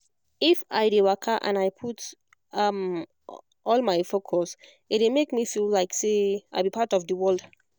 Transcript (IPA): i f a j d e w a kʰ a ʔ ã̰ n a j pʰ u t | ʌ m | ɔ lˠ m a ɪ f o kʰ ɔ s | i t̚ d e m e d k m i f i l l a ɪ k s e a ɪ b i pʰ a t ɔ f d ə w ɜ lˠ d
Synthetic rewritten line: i f a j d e w a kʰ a ʔ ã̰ n a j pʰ u t | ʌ m | ɔ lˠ m a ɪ f o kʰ ɔ s | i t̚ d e m e k m i f i l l a ɪ k s e a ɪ b i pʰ a t ɔ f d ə w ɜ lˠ d